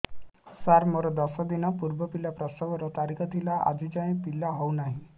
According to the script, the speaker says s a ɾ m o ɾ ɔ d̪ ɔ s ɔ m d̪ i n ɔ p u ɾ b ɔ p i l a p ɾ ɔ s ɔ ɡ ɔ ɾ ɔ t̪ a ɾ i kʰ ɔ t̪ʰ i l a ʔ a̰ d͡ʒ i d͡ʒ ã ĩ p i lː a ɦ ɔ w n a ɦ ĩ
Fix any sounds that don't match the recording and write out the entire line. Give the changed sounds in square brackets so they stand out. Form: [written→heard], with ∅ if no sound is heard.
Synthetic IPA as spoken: s a ɾ m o ɾ ɔ d̪ ɔ s ɔ [m→∅] d̪ i n ɔ p u ɾ b ɔ p i l a p ɾ ɔ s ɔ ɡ ɔ ɾ ɔ t̪ a ɾ i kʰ ɔ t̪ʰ i l a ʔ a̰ d͡ʒ i d͡ʒ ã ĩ p i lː a ɦ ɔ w n a ɦ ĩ